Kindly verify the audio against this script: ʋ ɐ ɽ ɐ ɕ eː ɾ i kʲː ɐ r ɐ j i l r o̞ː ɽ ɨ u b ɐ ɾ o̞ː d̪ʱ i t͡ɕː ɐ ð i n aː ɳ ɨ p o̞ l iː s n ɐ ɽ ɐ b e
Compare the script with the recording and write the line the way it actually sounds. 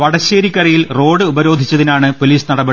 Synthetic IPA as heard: ʋ ɐ ɽ ɐ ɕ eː ɾ i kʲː ɐ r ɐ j i l r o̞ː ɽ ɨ u b ɐ ɾ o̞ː d̪ʱ i t͡ɕː ɐ ð i n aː ɳ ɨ p o̞ l iː s n ɐ ɽ ɐ b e